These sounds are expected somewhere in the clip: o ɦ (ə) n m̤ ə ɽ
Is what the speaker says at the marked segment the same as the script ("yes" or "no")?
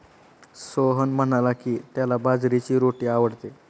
yes